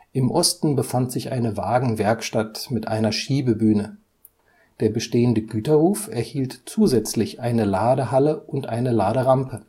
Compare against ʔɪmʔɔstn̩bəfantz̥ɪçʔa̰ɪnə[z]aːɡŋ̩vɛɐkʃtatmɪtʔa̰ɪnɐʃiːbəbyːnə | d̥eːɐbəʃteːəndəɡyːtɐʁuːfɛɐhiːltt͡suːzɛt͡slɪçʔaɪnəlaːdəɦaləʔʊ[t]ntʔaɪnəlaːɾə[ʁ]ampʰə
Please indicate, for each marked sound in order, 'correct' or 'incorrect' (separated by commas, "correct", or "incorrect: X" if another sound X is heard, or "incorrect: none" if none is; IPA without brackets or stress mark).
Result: incorrect: v, incorrect: none, correct